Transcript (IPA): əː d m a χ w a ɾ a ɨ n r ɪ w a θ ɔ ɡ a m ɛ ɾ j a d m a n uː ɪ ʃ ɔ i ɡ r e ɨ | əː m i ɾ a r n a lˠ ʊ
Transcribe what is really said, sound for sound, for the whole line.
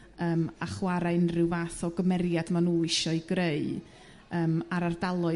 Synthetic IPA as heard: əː m a χ w a ɾ a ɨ n r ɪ w a θ ɔ ɡ ə m ɛ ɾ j a d m a n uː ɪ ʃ ɔ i ɡ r e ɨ | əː m a ɾ a r d a lˠ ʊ